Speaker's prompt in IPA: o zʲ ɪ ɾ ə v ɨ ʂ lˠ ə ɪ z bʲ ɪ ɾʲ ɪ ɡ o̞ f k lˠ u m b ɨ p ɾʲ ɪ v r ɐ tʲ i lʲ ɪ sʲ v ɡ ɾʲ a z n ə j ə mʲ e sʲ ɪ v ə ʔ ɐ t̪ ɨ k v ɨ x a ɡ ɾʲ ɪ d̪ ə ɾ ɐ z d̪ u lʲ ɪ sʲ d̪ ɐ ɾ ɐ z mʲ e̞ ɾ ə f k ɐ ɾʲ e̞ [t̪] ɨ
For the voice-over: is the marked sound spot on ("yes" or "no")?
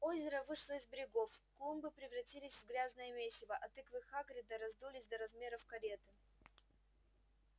yes